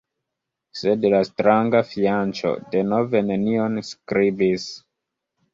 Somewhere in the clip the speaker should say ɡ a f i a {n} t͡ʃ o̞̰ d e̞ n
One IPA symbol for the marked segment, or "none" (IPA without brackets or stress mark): n